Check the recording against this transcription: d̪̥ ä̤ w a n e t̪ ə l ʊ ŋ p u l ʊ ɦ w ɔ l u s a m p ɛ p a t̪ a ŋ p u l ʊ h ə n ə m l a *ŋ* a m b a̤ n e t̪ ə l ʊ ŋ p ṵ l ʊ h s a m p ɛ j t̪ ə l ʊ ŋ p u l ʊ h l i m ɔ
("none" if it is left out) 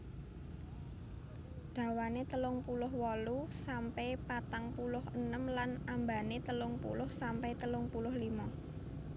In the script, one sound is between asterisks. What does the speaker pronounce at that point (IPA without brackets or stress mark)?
n